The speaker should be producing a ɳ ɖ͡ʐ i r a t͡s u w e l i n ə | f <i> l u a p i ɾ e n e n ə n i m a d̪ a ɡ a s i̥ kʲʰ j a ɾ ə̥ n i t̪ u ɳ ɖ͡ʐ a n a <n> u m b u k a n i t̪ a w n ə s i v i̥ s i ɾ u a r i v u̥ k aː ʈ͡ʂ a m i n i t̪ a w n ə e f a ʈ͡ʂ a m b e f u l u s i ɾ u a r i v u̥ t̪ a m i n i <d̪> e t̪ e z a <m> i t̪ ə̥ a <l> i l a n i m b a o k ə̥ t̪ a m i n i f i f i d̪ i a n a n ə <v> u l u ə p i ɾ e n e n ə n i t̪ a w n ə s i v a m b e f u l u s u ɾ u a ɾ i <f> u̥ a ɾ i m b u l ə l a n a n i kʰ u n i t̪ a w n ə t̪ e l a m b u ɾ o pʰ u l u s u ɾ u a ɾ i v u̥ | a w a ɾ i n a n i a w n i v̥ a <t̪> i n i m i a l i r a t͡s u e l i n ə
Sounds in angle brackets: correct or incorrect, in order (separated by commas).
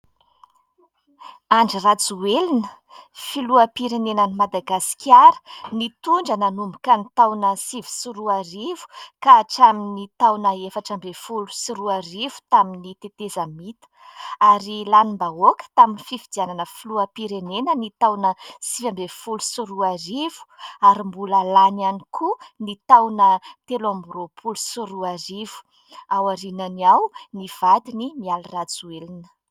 correct, correct, incorrect, correct, incorrect, incorrect, incorrect, incorrect